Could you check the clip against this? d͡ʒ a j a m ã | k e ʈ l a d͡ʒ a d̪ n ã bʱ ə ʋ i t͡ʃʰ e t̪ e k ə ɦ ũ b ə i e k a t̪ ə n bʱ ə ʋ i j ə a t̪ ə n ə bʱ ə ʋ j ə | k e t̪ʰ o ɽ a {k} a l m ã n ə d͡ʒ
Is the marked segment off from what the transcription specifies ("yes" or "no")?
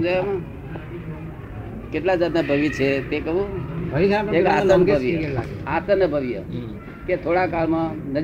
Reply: no